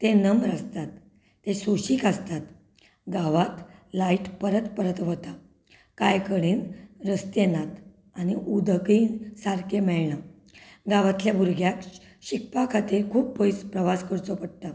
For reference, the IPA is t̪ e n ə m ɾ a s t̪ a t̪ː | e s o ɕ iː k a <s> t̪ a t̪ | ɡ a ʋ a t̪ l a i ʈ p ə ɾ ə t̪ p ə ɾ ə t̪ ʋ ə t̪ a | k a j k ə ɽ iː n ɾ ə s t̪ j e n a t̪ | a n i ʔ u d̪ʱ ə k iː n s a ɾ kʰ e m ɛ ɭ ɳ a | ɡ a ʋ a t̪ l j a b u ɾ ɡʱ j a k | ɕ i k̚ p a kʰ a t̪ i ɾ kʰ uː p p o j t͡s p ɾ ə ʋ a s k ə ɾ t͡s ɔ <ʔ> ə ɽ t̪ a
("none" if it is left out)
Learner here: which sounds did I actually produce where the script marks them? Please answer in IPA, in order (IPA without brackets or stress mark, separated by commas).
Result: s, p